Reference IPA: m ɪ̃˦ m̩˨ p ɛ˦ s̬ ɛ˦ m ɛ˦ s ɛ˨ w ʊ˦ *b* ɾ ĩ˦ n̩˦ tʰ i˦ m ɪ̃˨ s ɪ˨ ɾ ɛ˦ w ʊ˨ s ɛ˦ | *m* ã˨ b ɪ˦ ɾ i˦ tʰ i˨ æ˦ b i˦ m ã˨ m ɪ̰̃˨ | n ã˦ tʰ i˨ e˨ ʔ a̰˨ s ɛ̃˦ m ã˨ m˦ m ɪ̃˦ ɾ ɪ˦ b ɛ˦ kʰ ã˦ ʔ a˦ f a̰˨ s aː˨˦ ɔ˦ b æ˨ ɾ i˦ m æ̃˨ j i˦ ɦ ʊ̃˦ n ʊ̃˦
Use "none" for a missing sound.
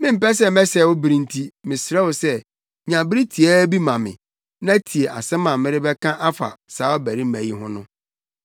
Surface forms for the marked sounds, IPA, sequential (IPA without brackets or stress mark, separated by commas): b, ɲ